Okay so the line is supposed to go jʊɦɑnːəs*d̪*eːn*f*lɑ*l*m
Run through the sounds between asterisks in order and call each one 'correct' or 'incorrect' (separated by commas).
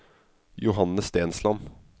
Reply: incorrect, incorrect, incorrect